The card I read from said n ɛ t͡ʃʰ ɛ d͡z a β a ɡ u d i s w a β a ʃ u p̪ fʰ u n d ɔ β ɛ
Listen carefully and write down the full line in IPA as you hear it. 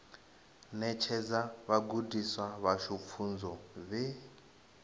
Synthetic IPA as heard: n ɛ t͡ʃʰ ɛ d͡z a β a ɡ u d i s w a β a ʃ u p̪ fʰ u n d͡z ɔ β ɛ